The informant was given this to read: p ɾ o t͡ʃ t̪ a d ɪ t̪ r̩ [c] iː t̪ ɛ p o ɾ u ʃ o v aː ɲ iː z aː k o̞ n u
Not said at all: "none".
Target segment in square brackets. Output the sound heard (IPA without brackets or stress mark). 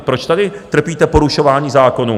p